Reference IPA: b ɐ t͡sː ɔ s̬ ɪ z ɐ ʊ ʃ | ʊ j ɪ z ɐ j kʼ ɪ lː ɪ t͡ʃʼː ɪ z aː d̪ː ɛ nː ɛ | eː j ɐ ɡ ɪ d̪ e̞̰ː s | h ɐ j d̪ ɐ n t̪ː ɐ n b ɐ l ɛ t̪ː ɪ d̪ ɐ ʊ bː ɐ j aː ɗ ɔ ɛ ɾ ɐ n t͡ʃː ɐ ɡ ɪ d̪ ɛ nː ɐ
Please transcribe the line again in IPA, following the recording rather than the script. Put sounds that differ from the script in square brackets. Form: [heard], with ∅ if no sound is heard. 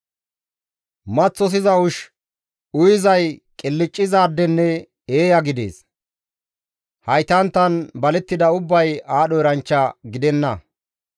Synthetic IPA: [m] ɐ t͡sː ɔ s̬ ɪ z ɐ ʊ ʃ | ʊ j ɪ z ɐ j kʼ ɪ lː ɪ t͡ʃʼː ɪ z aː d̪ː ɛ nː ɛ | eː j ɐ ɡ ɪ d̪ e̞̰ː s | h ɐ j [t̪] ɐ n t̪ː ɐ n b ɐ l ɛ t̪ː ɪ d̪ ɐ ʊ bː ɐ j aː ɗ ɔ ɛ ɾ ɐ n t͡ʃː ɐ ɡ ɪ d̪ ɛ nː ɐ